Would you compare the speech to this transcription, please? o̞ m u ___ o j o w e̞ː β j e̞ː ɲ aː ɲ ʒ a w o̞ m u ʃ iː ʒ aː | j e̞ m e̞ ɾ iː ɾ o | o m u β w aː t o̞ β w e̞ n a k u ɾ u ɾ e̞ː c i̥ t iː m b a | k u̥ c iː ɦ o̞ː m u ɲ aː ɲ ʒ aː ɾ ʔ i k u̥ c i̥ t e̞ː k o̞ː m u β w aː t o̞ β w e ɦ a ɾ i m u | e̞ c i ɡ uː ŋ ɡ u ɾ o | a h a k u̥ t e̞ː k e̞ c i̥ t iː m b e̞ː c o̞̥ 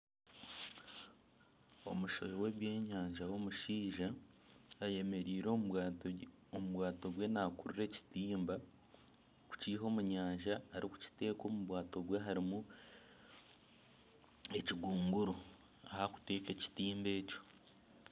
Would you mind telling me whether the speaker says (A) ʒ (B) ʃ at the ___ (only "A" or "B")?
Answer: B